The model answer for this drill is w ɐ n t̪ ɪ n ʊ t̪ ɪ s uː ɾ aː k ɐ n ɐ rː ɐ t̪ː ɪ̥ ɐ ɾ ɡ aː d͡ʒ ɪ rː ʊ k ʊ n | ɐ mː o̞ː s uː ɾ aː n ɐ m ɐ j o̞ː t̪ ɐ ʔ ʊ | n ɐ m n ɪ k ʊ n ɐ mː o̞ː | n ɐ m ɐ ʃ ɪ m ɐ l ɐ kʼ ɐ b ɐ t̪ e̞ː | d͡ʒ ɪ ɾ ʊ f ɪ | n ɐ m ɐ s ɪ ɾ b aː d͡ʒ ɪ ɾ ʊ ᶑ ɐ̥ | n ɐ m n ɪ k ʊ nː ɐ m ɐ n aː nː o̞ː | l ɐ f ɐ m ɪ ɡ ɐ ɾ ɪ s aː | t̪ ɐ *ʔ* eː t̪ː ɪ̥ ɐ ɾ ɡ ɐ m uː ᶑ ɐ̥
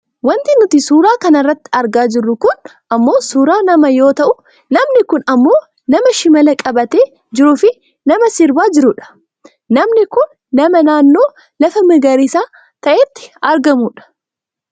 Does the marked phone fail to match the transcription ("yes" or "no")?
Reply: no